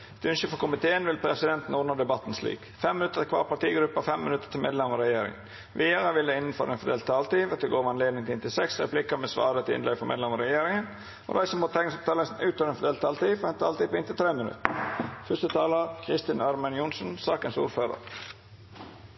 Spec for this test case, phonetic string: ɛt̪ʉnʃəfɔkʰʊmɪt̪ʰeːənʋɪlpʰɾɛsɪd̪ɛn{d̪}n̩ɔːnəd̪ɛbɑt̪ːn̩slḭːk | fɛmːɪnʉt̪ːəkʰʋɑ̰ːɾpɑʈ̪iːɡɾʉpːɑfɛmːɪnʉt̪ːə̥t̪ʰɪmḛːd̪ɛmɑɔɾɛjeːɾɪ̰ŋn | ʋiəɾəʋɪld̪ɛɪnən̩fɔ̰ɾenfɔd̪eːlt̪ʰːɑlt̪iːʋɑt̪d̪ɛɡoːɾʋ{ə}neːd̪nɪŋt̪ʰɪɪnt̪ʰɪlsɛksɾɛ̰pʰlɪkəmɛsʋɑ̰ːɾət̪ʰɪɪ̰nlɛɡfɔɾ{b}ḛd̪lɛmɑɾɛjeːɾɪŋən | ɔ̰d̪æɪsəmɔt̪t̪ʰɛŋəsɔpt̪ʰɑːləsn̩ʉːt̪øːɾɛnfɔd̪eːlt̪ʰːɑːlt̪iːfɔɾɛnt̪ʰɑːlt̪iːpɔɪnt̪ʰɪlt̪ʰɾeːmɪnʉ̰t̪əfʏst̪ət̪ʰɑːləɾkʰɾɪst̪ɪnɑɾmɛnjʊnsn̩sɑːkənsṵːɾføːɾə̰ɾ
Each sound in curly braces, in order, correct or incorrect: incorrect, incorrect, incorrect

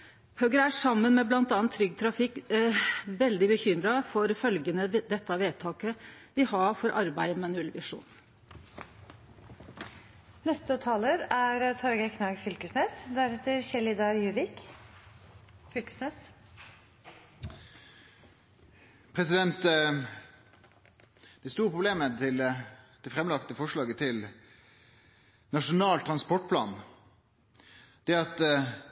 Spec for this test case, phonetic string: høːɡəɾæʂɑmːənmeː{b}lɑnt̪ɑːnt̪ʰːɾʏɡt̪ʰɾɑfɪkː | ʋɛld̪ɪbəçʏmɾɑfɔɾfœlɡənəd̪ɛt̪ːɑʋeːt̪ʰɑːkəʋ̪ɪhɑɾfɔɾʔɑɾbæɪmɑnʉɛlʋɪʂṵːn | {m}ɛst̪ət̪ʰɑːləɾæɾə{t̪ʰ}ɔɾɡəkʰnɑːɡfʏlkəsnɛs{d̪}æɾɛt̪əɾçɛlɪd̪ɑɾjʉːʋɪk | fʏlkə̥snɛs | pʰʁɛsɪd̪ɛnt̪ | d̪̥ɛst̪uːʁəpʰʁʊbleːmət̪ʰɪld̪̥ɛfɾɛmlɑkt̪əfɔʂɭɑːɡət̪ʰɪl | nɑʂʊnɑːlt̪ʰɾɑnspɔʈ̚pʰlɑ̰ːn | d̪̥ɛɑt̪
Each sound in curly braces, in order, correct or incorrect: correct, incorrect, correct, correct

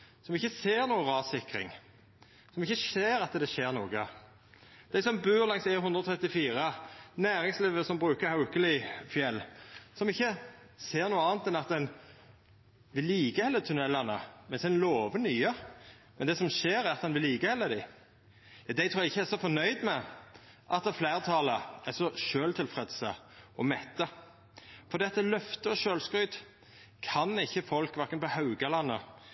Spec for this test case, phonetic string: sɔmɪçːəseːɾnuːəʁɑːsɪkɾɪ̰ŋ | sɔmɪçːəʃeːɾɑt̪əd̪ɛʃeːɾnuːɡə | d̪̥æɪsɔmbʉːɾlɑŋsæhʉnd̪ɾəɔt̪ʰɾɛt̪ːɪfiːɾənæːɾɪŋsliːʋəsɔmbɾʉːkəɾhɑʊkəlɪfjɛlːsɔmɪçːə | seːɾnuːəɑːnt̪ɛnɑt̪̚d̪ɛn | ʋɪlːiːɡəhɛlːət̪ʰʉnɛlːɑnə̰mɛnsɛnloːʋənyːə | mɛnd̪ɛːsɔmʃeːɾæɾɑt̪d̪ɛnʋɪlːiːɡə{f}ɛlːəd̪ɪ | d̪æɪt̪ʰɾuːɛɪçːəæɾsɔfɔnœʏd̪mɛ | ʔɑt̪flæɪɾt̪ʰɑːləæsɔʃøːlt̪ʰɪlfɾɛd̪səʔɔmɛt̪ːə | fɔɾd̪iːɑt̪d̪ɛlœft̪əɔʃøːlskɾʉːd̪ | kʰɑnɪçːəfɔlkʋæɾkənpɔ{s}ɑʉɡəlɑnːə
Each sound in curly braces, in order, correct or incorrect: incorrect, incorrect

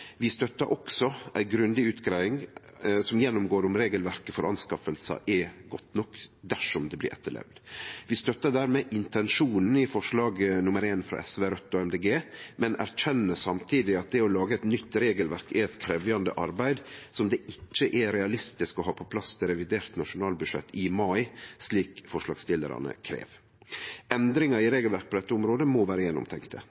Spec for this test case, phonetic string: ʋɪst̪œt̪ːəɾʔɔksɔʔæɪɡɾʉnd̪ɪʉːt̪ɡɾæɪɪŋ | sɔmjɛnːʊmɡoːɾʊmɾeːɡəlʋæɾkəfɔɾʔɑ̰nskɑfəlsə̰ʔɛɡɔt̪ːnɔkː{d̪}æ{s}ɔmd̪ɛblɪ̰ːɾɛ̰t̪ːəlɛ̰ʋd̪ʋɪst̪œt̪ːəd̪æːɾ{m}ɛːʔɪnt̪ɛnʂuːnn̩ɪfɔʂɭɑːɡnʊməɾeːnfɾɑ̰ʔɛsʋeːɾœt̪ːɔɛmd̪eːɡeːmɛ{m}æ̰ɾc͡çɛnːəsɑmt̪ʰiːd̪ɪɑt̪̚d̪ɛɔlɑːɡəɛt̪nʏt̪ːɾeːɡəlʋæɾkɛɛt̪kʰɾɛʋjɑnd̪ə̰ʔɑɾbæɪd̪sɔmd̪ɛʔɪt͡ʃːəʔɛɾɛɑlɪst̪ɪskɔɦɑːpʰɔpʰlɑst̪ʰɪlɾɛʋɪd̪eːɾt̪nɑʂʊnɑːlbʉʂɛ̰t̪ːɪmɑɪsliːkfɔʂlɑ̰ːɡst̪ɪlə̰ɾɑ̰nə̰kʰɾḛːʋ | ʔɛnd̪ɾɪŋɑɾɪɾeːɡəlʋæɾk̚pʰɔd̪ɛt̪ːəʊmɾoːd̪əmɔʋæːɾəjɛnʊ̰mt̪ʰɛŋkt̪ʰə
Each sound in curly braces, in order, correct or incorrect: correct, incorrect, correct, incorrect

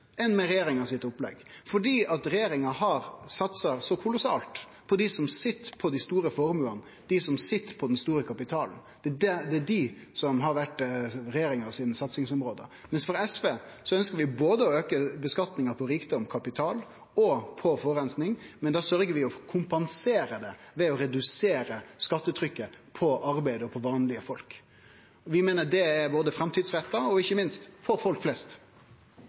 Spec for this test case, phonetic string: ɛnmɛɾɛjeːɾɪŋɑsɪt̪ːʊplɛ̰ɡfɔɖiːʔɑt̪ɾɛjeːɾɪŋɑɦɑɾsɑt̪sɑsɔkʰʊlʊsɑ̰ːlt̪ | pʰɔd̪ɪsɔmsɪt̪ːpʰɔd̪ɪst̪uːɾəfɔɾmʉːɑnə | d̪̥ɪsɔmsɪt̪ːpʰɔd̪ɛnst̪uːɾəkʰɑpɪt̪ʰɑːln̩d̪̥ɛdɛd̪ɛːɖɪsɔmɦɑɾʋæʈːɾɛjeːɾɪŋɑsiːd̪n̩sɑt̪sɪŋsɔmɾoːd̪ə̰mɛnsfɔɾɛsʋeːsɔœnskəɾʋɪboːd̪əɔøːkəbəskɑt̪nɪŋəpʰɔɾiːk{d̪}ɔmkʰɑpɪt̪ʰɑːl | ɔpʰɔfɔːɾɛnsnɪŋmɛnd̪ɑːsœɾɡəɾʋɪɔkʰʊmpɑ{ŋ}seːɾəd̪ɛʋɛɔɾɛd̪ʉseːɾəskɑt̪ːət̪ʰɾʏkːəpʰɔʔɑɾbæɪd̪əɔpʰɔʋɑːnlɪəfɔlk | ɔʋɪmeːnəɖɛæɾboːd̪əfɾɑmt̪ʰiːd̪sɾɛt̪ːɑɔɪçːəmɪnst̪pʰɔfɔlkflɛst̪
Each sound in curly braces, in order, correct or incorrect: correct, incorrect

